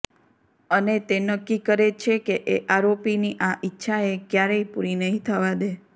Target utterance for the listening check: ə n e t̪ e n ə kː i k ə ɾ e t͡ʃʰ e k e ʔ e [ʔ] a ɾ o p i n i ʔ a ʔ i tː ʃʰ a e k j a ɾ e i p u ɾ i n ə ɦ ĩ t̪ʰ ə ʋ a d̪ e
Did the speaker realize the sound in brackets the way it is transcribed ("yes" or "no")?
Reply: yes